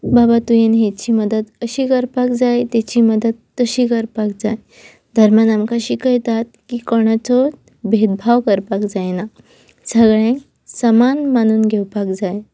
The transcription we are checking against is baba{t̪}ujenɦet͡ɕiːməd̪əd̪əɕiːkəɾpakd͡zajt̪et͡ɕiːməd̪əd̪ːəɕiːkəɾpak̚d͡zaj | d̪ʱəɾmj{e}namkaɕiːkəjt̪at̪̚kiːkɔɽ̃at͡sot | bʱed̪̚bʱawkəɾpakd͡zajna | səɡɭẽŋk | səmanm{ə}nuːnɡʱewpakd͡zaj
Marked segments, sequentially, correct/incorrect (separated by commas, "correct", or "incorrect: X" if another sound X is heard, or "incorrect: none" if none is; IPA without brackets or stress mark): correct, incorrect: a, incorrect: a